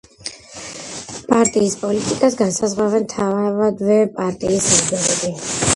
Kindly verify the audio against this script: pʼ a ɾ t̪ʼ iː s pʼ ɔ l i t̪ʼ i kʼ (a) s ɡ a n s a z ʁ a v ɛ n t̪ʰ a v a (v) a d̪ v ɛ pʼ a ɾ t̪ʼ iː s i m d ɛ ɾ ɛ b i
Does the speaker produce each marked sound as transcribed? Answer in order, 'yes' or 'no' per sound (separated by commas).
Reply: yes, yes